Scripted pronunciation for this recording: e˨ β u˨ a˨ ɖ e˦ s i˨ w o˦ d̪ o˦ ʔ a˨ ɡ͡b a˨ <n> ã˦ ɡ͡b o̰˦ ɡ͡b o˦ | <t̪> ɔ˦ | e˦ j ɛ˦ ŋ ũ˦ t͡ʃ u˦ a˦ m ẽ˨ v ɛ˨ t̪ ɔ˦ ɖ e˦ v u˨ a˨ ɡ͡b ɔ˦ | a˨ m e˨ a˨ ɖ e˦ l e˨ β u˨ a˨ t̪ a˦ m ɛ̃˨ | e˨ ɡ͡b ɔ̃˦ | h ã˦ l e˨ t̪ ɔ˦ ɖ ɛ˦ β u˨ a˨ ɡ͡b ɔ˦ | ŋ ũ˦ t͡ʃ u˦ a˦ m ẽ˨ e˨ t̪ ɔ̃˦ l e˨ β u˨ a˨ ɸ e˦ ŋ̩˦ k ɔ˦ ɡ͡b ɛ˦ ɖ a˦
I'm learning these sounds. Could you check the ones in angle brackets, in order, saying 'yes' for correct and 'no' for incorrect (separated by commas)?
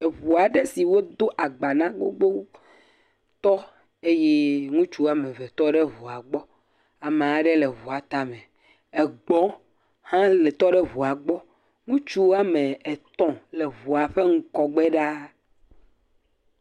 yes, yes